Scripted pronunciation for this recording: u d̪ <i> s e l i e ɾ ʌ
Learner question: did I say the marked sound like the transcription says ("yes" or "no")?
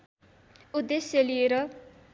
no